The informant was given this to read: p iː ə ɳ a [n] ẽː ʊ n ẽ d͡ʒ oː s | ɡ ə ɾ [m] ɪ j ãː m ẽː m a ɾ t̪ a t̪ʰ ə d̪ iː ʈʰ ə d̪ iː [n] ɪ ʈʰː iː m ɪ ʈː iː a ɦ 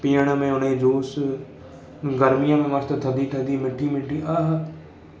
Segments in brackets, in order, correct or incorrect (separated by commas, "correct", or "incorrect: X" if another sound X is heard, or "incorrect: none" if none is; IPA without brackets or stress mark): incorrect: m, correct, incorrect: m